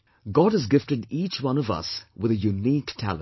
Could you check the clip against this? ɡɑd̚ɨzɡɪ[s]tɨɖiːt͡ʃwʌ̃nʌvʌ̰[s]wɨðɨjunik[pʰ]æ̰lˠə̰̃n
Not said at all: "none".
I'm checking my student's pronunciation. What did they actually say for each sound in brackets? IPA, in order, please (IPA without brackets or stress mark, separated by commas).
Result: f, s, tʰ